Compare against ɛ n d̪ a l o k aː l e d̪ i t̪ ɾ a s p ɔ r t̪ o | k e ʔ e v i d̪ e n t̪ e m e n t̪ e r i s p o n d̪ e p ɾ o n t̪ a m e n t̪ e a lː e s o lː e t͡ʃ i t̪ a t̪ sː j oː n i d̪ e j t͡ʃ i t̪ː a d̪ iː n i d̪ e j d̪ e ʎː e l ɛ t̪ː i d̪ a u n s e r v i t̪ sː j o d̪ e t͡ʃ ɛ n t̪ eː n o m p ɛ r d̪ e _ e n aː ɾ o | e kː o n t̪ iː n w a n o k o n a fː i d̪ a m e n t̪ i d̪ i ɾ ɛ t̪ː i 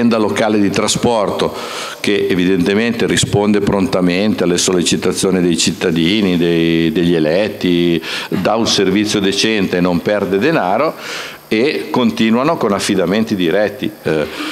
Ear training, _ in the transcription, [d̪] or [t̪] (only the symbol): d̪